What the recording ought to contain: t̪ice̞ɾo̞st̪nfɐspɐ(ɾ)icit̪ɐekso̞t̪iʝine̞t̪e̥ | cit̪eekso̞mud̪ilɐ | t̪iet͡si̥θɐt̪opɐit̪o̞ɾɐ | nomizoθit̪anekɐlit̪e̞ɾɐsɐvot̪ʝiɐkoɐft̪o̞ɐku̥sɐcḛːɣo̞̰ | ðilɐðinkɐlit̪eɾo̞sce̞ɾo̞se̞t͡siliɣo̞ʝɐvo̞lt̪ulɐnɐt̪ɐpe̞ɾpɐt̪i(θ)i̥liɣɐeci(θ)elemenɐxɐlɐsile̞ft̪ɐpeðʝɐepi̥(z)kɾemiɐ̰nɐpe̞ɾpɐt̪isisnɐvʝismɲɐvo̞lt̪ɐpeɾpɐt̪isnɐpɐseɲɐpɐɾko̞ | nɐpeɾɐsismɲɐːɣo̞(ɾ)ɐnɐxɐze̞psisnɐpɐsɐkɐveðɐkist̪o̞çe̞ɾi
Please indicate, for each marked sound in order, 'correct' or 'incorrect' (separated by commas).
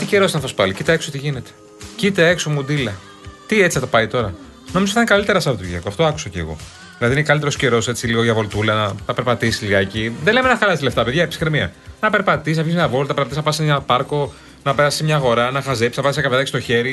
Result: incorrect, incorrect, incorrect, incorrect, correct